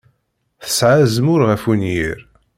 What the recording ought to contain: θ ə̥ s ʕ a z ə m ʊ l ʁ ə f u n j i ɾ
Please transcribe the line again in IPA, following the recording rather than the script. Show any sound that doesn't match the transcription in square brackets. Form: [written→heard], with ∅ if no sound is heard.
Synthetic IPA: θ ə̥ s ʕ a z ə m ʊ [l→ɾ] ʁ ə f u n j i ɾ

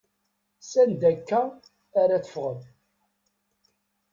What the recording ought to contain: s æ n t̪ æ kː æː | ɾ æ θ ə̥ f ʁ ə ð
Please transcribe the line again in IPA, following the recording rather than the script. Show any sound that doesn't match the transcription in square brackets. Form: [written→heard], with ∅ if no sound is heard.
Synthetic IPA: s æ n [t̪→d̪] æ kː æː | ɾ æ θ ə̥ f ʁ ə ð

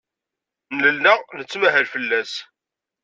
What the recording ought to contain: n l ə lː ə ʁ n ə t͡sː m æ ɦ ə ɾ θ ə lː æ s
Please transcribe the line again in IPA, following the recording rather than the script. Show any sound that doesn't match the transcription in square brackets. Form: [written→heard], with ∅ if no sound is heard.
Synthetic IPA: n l ə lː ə ʁ n ə t͡sː m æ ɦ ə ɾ [θ→f] ə lː æ s

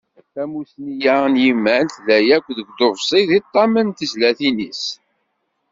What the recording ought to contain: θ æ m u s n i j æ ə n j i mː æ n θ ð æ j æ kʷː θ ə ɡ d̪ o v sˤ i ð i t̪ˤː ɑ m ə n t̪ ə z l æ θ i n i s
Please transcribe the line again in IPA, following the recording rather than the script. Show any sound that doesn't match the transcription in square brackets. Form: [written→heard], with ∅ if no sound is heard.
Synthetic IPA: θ æ m u s n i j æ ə n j i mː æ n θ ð æ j æ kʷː [θ→ð] ə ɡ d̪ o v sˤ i ð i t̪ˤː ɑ m ə n t̪ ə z l æ θ i n i s

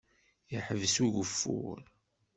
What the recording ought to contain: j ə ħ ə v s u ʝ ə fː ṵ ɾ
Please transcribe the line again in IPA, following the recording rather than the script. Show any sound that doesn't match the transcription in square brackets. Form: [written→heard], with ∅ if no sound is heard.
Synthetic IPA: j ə ħ ə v s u ʝ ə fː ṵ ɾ

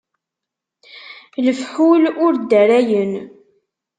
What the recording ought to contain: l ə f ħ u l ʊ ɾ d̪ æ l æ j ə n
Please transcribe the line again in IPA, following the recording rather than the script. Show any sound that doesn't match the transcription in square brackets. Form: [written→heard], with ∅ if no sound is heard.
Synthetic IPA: l ə f ħ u l ʊ ɾ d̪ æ [l→ɾ] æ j ə n

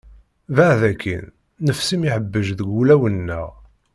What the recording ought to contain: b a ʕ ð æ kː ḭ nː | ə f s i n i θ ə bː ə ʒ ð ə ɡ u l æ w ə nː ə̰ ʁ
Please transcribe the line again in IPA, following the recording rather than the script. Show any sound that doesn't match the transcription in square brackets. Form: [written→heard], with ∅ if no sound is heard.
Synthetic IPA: [b→v] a ʕ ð æ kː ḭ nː | ə f s i [n→m] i [θ→ħ] ə bː ə ʒ ð ə ɡ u l æ w ə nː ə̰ ʁ

